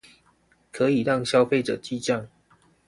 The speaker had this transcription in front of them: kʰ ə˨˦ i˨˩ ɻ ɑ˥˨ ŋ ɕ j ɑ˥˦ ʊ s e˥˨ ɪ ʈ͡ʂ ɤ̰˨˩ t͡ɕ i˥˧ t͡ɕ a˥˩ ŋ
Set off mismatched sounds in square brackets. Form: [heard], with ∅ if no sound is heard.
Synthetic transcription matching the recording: kʰ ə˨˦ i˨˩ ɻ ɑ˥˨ ŋ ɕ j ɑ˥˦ ʊ [f] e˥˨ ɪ ʈ͡ʂ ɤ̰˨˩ t͡ɕ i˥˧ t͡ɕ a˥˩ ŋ